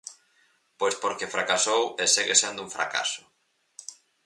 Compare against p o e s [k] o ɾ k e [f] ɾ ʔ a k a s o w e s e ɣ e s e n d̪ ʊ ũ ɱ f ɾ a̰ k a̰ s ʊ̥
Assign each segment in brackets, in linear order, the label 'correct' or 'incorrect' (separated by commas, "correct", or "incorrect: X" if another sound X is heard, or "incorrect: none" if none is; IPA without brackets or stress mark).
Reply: incorrect: p, correct